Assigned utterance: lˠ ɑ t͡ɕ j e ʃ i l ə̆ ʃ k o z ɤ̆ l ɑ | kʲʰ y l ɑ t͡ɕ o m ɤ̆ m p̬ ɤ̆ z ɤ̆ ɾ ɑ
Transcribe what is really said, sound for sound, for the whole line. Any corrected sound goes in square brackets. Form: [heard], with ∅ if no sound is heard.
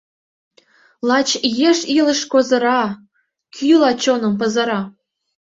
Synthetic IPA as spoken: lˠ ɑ t͡ɕ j e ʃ i l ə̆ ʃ k o z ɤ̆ [ɾ] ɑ | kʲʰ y l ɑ t͡ɕ o [n] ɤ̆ m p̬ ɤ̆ z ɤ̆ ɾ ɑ